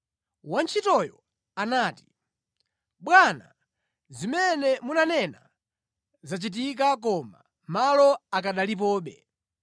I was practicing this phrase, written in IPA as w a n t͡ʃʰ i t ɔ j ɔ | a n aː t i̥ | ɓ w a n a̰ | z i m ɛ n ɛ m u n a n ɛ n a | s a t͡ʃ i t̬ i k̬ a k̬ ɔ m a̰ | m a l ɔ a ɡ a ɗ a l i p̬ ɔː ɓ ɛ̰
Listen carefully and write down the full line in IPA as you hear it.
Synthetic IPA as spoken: w a n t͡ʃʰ i t ɔ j ɔ | a n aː t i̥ | ɓ w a n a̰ | z i m ɛ n ɛ m u n a n ɛ n a | z a t͡ʃ i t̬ i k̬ a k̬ ɔ m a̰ | m a l ɔ a k a ɗ a l i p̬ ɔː ɓ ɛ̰